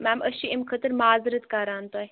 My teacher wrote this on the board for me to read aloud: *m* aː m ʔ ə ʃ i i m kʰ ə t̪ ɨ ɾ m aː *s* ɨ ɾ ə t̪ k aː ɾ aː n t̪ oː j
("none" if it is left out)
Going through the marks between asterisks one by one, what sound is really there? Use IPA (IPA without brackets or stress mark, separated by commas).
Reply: m, z